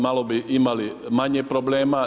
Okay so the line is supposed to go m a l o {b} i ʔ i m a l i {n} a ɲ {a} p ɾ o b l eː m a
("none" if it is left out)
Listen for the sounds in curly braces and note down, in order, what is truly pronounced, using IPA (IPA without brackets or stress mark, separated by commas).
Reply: b, m, e